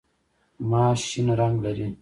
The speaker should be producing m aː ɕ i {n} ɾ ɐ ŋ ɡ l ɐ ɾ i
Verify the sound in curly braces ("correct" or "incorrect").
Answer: correct